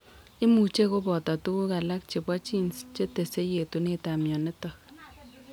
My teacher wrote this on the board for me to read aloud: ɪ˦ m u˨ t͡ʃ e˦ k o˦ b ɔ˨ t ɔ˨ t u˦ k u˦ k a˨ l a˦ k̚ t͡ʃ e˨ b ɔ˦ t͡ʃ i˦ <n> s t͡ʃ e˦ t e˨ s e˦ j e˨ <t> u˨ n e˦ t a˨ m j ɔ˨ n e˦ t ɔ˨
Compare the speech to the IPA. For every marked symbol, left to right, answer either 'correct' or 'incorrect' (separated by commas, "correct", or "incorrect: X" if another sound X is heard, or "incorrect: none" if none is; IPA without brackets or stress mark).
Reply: correct, correct